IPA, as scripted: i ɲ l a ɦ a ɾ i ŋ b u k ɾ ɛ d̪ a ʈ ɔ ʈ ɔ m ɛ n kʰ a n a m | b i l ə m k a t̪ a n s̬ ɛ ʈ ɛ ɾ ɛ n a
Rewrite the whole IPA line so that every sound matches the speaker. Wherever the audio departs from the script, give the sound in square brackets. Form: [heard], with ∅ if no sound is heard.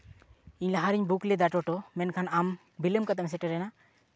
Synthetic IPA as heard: i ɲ l a ɦ a ɾ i [ɲ] b u k [l] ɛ d̪ a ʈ ɔ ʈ ɔ m ɛ n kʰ a n a m | b i l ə m k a t̪ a [m] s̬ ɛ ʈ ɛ ɾ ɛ n a